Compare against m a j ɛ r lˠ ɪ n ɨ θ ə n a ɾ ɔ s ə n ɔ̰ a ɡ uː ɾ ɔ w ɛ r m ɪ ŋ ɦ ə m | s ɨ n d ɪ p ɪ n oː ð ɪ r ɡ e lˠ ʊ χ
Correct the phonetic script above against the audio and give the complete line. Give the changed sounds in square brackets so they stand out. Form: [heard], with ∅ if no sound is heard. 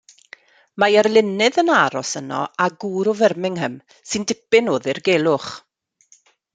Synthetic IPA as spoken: m a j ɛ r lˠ ɪ n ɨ [ð] ə n a ɾ ɔ s ə n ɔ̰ a ɡ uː ɾ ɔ [v] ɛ r m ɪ ŋ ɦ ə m | s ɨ n d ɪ p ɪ n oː ð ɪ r ɡ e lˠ ʊ χ

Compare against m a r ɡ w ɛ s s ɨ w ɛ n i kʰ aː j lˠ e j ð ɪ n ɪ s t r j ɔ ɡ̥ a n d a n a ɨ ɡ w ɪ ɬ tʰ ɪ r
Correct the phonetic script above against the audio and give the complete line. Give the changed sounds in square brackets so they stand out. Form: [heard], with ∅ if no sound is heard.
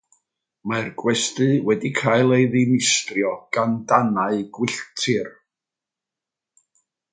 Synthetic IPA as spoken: m a r ɡ w ɛ s [t] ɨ w ɛ [d] i kʰ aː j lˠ e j ð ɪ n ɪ s t r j ɔ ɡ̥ a n d a n a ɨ ɡ w ɪ ɬ tʰ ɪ r

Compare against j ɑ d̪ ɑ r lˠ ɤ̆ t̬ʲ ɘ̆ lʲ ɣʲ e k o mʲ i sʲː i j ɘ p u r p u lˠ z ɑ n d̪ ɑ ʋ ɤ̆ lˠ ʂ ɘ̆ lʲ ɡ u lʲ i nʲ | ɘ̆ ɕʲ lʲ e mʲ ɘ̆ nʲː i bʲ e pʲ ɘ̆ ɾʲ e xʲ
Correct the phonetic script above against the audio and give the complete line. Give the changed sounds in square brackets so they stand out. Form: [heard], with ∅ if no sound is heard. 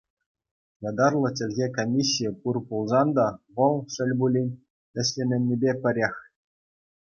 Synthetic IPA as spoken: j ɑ d̪ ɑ r lˠ ɤ̆ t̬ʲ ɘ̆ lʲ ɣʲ e k o mʲ i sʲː i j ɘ p u r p u lˠ z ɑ n d̪ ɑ ʋ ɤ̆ lˠ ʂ ɘ̆ lʲ [b] u lʲ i nʲ | ɘ̆ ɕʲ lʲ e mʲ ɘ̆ nʲː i bʲ e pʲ ɘ̆ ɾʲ e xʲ

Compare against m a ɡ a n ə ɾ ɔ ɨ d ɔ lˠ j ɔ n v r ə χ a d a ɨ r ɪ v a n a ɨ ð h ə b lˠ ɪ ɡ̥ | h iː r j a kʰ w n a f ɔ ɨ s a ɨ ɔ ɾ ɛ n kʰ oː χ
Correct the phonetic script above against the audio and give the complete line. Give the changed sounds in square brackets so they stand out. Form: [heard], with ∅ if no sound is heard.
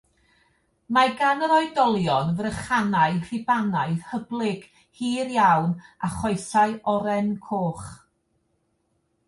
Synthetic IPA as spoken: m a ɡ a n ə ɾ ɔ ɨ d ɔ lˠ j ɔ n v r ə χ a [n] a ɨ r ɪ [b] a n a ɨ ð h ə b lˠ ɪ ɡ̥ | h iː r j a [∅] w n a [χ] ɔ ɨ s a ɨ ɔ ɾ ɛ n kʰ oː χ

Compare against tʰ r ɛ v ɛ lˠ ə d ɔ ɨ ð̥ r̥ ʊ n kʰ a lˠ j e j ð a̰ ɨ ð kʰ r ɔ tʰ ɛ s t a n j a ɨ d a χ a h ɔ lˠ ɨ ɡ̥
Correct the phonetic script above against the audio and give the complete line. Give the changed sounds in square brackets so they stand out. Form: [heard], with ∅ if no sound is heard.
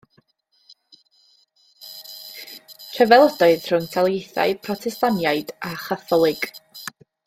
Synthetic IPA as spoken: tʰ r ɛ v ɛ lˠ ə d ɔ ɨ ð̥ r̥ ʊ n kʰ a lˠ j e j [θ] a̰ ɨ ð [pʰ] r ɔ tʰ ɛ s t a n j a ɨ d a χ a [θ] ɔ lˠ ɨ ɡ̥

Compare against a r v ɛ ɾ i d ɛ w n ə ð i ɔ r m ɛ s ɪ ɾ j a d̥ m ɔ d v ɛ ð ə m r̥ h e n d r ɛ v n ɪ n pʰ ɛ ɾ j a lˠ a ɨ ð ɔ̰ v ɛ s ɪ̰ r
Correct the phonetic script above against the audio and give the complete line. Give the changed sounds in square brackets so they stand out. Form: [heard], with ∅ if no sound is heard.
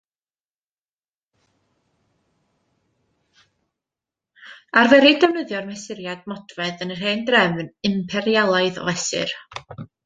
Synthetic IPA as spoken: a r v ɛ ɾ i d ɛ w n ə ð [j] ɔ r m ɛ s ɪ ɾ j a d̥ m ɔ d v ɛ ð ə [n] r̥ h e n d r ɛ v n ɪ [m] pʰ ɛ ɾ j a lˠ a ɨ ð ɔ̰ v ɛ s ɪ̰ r

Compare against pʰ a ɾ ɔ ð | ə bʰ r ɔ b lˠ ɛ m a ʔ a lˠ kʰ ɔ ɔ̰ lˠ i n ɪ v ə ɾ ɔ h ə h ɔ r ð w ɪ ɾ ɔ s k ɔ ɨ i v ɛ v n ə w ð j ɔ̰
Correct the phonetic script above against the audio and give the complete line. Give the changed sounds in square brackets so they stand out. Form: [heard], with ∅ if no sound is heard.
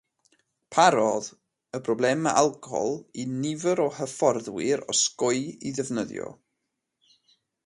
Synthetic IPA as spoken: pʰ a ɾ ɔ ð | ə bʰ r ɔ b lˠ ɛ m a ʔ a lˠ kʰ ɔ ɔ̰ lˠ i n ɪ v ə ɾ ɔ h ə [f] ɔ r ð w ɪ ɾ ɔ s k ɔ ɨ i [ð] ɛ v n ə [∅] ð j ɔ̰

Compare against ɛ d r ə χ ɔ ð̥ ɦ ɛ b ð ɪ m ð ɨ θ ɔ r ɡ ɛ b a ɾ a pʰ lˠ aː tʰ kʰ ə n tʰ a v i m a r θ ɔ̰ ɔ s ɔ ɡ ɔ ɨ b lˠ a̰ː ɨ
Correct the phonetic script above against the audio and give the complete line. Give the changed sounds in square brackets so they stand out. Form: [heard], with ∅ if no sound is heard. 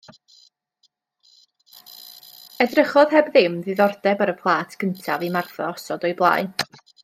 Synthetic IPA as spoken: ɛ d r ə χ ɔ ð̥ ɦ ɛ b ð ɪ m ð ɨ [ð] ɔ r [d] ɛ b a ɾ [ə] pʰ lˠ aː tʰ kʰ ə n tʰ a v i m a r θ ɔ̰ ɔ s ɔ [d] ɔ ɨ b lˠ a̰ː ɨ

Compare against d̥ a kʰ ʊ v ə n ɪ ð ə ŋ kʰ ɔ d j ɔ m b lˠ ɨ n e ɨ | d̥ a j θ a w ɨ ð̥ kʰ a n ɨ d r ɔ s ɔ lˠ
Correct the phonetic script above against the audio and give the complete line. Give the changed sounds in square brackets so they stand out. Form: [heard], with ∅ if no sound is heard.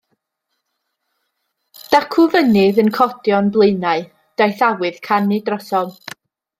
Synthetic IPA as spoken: d̥ a kʰ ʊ v ə n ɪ ð ə [n] kʰ ɔ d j ɔ [n] b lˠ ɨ n [a] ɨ | d̥ a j θ a w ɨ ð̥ kʰ a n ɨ d r ɔ s ɔ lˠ

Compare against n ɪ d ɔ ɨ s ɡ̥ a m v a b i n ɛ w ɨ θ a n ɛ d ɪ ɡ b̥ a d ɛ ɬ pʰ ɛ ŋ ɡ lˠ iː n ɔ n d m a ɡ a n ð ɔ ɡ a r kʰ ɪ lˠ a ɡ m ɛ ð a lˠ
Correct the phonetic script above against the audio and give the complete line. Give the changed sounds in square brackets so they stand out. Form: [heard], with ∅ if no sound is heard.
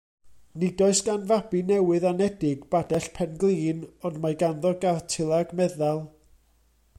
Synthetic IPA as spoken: n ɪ d ɔ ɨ s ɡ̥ a [n] v a b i n ɛ w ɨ [ð] a n ɛ d ɪ ɡ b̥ a d ɛ ɬ pʰ ɛ [n] ɡ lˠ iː n ɔ n d m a ɡ a n ð ɔ ɡ a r [tʰ] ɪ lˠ a ɡ m ɛ ð a lˠ

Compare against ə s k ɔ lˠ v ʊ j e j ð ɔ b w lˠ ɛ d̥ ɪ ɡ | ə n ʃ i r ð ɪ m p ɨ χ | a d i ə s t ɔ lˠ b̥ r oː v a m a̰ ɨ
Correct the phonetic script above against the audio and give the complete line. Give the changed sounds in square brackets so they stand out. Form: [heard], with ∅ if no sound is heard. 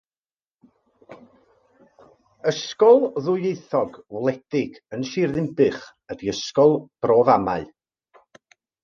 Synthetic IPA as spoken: ə s k ɔ lˠ [ð] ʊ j e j [θ] ɔ [ɡ] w lˠ ɛ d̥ ɪ ɡ | ə n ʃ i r ð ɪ m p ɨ χ | [ə] d i ə s [k] ɔ lˠ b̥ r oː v a m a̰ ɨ

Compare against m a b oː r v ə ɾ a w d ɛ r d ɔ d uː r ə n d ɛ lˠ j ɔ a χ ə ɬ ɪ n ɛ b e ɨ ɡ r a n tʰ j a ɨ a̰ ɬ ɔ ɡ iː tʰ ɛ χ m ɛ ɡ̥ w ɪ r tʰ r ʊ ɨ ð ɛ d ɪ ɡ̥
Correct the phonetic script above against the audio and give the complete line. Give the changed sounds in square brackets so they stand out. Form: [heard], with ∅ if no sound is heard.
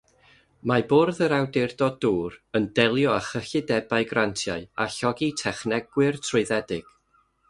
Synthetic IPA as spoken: m a b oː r [ð] ə ɾ a w d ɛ r d ɔ d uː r ə n d ɛ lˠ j ɔ a χ ə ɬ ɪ [d] ɛ b [a] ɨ ɡ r a n tʰ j a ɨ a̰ ɬ ɔ ɡ [i] tʰ ɛ χ [n] ɛ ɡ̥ w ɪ r tʰ r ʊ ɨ ð ɛ d ɪ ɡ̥

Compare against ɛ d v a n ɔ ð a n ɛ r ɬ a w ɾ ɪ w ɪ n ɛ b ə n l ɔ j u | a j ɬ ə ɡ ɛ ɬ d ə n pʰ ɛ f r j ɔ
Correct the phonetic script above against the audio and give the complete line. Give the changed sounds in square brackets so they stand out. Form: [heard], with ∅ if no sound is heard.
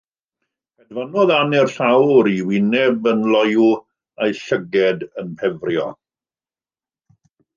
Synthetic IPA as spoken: ɛ d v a n ɔ ð a n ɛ r ɬ a w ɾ [i] w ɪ n ɛ b ə n l ɔ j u | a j ɬ ə ɡ ɛ [∅] d ə n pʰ ɛ [v] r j ɔ

